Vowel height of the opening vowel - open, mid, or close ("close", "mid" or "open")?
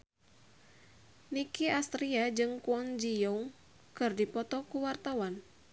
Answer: close